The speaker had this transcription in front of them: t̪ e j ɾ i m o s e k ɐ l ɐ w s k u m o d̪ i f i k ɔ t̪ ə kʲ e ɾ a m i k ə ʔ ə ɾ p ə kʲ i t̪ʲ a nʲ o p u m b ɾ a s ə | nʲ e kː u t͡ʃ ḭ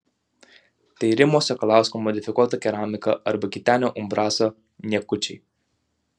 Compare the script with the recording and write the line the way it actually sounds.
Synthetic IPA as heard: t̪ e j ɾ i m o s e k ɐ l a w s k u m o d̪ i f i k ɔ t̪ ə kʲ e ɾ a m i k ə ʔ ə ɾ b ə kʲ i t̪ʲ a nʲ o ʔ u m b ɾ a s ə | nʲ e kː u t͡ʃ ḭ